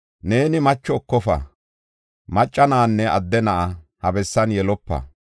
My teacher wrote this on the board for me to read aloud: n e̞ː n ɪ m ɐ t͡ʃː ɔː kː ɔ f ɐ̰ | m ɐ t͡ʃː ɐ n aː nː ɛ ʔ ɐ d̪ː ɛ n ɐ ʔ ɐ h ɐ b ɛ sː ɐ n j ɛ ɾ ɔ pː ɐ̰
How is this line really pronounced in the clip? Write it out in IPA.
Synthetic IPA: n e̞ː n ɪ m ɐ t͡ʃː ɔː kː ɔ f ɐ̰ | m ɐ t͡ʃʼː ɐ n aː nː ɛ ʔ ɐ d̪ː ɛ n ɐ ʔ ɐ h ɐ b ɛ sː ɐ n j ɛ l ɔ pː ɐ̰